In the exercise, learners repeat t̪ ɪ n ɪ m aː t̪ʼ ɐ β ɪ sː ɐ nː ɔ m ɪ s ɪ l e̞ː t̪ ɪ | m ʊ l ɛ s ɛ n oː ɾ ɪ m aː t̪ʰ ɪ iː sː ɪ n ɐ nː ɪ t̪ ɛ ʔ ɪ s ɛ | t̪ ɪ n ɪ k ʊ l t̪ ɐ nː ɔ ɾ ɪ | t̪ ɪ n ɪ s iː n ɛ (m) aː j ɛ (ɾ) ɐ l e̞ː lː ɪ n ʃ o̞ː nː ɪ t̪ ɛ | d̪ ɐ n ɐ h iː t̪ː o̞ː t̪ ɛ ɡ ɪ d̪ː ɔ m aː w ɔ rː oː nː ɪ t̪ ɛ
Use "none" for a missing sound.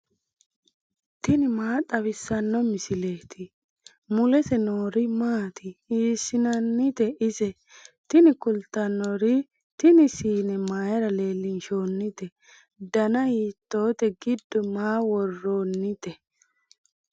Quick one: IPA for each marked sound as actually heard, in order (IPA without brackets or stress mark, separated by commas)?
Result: m, ɾ